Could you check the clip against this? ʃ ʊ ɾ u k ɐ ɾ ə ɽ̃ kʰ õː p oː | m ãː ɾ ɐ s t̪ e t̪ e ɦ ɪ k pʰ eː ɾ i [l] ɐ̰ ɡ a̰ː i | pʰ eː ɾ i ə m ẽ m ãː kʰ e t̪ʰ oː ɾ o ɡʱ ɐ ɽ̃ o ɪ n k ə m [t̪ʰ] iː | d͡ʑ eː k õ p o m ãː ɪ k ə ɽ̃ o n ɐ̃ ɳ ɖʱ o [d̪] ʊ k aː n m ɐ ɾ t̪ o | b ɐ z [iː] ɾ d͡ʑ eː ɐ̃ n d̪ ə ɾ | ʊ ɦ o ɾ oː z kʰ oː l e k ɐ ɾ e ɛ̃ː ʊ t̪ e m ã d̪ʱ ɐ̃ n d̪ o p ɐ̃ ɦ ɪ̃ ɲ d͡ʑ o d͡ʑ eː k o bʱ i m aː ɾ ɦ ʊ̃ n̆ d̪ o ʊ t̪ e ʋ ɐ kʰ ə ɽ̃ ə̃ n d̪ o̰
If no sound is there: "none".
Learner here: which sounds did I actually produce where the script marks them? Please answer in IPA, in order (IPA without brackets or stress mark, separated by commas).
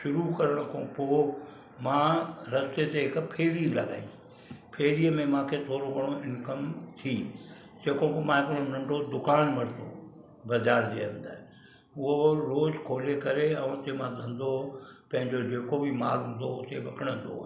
l, t̪ʰ, d̪, aː